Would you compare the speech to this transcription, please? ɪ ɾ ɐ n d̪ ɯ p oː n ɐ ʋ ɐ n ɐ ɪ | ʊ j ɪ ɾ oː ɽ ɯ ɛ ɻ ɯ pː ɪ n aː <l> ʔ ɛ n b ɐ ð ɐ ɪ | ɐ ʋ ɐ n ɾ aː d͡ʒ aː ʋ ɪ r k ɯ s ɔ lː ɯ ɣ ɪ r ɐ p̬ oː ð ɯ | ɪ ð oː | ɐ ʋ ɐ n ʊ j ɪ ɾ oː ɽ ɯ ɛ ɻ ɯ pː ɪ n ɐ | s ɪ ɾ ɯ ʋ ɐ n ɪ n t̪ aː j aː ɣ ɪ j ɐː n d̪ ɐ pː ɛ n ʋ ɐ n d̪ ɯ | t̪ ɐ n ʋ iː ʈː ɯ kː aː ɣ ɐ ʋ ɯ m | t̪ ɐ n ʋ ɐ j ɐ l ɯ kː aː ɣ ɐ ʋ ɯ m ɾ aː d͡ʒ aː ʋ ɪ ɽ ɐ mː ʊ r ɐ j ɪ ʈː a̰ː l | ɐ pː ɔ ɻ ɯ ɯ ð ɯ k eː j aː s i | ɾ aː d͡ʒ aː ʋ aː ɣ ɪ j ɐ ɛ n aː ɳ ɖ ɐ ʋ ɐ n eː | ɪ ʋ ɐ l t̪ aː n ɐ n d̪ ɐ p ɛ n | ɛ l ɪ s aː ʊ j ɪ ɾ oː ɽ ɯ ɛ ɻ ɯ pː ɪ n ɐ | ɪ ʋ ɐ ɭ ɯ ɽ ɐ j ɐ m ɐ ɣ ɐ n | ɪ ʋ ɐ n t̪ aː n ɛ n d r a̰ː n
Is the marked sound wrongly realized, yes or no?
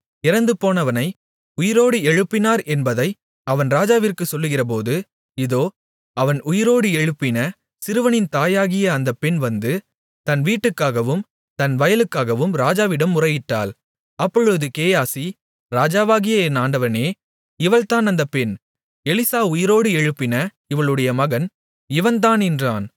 yes